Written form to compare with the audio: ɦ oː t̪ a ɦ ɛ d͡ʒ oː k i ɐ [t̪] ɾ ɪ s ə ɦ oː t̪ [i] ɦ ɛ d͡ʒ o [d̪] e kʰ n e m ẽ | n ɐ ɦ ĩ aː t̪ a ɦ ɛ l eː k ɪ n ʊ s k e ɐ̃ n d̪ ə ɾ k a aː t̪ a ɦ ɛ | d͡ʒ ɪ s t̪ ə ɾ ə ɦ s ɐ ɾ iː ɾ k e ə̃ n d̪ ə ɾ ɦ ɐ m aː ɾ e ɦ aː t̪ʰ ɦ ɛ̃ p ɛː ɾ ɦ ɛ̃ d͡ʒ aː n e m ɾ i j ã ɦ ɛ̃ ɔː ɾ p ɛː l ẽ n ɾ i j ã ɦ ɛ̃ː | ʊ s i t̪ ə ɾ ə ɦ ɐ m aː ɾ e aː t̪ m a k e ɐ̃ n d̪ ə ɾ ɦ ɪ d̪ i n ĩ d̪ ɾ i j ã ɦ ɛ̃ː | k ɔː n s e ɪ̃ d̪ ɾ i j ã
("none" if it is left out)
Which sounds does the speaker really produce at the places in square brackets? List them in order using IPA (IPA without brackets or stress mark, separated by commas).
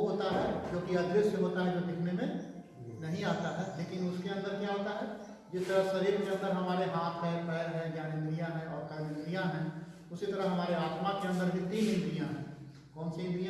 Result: d̪, a, d̪